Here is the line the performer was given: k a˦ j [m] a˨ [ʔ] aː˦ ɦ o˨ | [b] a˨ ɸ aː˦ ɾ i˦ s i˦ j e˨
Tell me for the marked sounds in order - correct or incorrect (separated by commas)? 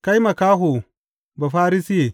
correct, incorrect, correct